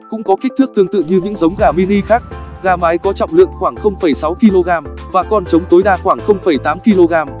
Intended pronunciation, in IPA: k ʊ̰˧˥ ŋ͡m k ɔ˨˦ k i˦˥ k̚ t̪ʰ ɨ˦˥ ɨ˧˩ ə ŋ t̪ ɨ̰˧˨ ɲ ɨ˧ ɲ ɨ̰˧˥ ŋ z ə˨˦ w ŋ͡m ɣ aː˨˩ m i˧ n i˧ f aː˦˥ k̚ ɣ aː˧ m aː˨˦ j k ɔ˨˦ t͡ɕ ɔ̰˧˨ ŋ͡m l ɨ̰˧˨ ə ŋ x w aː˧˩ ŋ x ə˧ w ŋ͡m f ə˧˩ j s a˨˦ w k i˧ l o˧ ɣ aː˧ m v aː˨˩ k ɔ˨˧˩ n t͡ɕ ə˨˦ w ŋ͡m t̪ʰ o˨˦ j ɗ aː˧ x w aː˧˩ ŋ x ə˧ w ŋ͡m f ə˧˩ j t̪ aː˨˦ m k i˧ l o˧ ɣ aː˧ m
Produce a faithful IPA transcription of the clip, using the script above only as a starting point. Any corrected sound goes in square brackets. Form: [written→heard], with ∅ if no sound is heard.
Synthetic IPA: k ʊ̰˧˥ ŋ͡m k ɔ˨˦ k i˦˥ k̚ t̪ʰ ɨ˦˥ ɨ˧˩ ə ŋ t̪ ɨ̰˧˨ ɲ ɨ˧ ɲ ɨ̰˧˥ ŋ z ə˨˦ w ŋ͡m ɣ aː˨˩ m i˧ n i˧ [f→x] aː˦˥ k̚ ɣ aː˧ m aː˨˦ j k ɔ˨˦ t͡ɕ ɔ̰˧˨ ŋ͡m l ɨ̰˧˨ ə ŋ x w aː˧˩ ŋ x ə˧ w ŋ͡m f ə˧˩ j s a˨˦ w k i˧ l o˧ ɣ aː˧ m v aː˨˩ k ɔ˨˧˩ n t͡ɕ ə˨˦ w ŋ͡m [t̪ʰ→t̪] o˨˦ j ɗ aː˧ x w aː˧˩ ŋ x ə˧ w ŋ͡m f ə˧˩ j t̪ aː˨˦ m k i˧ l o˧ ɣ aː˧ m

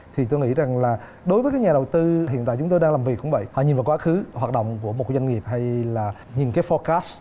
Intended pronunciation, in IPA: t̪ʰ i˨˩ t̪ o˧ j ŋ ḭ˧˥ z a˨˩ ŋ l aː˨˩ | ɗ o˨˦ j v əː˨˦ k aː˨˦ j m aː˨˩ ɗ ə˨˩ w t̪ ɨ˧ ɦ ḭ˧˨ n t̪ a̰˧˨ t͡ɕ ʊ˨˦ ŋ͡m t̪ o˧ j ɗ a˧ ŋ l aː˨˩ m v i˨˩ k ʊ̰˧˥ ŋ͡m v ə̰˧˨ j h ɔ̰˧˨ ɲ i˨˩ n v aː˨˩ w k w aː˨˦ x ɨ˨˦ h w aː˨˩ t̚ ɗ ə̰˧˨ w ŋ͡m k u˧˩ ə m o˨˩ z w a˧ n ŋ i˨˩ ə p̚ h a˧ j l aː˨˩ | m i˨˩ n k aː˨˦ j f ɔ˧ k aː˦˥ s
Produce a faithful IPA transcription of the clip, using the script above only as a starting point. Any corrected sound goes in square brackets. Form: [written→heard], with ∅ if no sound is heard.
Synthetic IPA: t̪ʰ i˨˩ t̪ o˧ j ŋ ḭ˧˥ z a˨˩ ŋ l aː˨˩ | ɗ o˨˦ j v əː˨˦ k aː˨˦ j [m→ɲ] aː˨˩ ɗ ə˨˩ w t̪ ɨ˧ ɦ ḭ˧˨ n t̪ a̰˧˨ t͡ɕ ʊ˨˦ ŋ͡m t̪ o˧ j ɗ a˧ ŋ l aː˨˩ m v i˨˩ k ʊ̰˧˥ ŋ͡m v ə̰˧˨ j h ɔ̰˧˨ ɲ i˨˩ n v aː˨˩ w k w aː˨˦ x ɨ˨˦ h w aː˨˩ t̚ ɗ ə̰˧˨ w ŋ͡m k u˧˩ ə m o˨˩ z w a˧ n ŋ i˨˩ ə p̚ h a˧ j l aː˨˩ | [m→ɲ] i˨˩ n k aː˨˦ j f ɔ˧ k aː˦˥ s

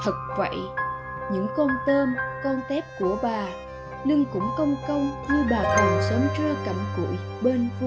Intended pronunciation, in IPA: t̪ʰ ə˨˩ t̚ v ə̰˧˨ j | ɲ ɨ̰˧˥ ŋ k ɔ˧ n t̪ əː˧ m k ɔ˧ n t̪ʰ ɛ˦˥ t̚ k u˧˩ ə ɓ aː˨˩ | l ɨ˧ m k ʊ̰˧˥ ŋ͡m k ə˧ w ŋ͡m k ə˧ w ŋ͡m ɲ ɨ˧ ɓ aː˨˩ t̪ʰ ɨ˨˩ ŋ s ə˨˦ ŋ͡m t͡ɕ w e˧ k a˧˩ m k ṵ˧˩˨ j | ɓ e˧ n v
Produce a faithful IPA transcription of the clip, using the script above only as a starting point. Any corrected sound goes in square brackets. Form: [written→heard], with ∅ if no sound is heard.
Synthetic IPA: t̪ʰ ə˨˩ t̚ v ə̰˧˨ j | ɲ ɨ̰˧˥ ŋ k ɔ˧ n t̪ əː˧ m k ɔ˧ n [t̪ʰ→t̪] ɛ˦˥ [t̚→p̚] k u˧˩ ə ɓ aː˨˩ | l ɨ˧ [m→ŋ] k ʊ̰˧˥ ŋ͡m k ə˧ w ŋ͡m k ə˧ w ŋ͡m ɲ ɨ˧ ɓ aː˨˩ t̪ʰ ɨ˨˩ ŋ s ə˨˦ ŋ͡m t͡ɕ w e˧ k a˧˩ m k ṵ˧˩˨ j | ɓ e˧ n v

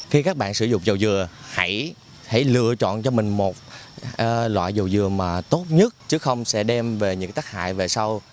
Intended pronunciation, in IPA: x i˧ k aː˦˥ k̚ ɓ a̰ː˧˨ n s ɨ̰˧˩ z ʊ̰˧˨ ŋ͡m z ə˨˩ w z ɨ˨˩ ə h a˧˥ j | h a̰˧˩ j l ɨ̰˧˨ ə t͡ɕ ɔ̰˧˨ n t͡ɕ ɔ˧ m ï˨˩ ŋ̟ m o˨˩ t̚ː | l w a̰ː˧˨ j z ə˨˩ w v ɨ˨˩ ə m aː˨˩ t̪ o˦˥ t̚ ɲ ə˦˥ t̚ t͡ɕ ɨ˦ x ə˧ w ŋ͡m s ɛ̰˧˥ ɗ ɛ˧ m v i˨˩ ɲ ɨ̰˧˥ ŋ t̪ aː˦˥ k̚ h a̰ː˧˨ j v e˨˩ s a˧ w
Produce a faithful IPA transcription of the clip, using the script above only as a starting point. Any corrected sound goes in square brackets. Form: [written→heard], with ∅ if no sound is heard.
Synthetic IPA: x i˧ k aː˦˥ k̚ ɓ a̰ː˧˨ n s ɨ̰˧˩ z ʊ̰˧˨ ŋ͡m z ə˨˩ w z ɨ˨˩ ə h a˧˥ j | h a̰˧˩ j l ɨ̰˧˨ ə t͡ɕ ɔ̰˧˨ n t͡ɕ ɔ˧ m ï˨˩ ŋ̟ m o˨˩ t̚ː | l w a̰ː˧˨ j z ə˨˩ w [v→z] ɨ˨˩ ə m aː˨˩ t̪ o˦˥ t̚ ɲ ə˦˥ t̚ t͡ɕ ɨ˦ x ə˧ w ŋ͡m s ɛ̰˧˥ ɗ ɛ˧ m v [i˨˩→e˨˩] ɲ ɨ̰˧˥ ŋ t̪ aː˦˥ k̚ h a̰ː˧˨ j v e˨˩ s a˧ w

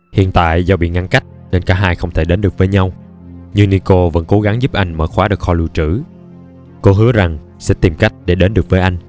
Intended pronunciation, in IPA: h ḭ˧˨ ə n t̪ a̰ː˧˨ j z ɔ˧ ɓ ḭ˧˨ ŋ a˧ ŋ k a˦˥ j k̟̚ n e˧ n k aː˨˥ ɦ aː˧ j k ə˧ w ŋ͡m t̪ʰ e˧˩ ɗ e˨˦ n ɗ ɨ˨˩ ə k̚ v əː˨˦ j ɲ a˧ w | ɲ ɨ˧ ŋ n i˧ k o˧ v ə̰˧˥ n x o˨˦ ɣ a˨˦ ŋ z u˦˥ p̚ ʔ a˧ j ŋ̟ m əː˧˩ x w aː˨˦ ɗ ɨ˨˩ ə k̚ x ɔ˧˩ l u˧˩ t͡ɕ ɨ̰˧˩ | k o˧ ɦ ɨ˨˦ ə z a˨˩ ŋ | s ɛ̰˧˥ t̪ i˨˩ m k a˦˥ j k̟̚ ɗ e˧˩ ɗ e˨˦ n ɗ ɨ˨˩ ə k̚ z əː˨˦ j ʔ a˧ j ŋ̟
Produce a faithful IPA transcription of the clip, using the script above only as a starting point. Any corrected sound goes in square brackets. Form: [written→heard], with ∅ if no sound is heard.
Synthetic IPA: h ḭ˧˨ ə n t̪ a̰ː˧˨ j z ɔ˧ ɓ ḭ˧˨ ŋ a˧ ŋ k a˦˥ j k̟̚ n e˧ n k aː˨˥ ɦ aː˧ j [k→x] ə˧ w ŋ͡m t̪ʰ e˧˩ ɗ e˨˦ n ɗ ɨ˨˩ ə k̚ v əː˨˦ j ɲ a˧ w | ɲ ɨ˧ ŋ n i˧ k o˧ v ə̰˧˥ n [x→k] o˨˦ ɣ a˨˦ ŋ z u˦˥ p̚ ʔ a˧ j ŋ̟ m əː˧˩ x w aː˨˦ ɗ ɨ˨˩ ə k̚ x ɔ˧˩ l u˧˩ t͡ɕ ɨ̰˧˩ | k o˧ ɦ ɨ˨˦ ə z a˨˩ ŋ | s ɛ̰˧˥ t̪ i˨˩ m k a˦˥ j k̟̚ ɗ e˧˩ ɗ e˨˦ n ɗ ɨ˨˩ ə k̚ [z→v] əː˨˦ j ʔ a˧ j ŋ̟

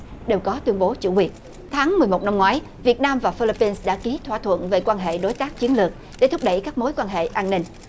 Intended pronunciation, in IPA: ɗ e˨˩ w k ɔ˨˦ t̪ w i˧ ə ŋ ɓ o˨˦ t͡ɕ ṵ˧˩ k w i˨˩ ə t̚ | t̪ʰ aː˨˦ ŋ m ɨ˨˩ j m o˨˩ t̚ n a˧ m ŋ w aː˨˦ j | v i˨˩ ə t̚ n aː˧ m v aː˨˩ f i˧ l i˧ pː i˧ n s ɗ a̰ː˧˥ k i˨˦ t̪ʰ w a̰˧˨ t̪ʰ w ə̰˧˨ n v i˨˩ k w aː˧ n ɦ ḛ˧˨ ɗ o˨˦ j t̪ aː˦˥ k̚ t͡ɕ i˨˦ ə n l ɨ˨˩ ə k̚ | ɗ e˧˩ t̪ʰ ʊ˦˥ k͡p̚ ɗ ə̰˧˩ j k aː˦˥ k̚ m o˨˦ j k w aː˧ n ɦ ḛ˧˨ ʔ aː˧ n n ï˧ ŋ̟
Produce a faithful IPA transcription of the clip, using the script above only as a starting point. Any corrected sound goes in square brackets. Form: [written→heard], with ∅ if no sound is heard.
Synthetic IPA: ɗ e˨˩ w k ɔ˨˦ t̪ w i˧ ə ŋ ɓ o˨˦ t͡ɕ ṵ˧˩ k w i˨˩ ə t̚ | t̪ʰ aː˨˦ ŋ m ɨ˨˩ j m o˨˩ t̚ n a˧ m ŋ w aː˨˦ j | v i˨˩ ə t̚ n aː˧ m v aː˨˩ f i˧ l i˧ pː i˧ n s ɗ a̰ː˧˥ k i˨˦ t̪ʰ w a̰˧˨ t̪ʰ w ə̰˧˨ n v [i˨˩→e˨˩] k w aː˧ n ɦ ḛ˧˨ ɗ o˨˦ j t̪ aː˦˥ k̚ t͡ɕ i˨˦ ə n l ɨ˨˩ ə k̚ | ɗ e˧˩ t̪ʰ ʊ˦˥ k͡p̚ ɗ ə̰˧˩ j k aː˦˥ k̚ m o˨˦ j k w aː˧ n ɦ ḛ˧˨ ʔ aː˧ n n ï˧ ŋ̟

